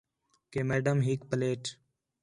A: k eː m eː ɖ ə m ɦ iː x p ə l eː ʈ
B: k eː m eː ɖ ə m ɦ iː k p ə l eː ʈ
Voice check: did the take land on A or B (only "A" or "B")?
B